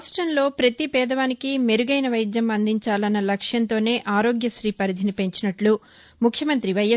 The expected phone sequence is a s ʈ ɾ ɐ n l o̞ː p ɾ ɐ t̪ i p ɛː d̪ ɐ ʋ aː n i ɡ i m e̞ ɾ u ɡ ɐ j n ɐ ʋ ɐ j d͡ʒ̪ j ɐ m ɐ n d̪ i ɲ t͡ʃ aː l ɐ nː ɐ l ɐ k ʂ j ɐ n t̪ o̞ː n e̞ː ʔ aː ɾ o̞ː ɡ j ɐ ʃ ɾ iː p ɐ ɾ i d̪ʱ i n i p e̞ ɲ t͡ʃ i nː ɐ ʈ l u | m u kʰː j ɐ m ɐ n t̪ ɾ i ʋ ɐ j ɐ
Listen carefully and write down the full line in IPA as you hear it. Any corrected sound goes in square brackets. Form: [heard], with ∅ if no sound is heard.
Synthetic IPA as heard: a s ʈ ɾ ɐ n l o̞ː p ɾ ɐ t̪ i p ɛː d̪ ɐ ʋ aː n i [k] i m e̞ ɾ u ɡ ɐ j n ɐ ʋ ɐ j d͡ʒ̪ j ɐ m ɐ n d̪ i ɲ t͡ʃ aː l ɐ nː ɐ l ɐ k ʂ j ɐ n t̪ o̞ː n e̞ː ʔ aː ɾ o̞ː ɡ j ɐ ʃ ɾ iː p ɐ ɾ i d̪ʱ i n i p e̞ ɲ t͡ʃ i [n] ɐ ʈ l u | m u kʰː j ɐ m ɐ n t̪ ɾ i ʋ ɐ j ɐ